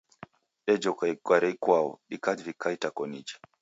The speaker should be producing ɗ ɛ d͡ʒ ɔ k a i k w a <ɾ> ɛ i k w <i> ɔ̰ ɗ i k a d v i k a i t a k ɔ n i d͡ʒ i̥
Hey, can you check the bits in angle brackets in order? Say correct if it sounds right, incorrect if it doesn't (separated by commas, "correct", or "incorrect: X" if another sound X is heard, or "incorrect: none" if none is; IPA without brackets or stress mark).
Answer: correct, incorrect: a